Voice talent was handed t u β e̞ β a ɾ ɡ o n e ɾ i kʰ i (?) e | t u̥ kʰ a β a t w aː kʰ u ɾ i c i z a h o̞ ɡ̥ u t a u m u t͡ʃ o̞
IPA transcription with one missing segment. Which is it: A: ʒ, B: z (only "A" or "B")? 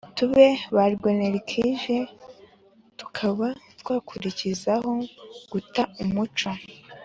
A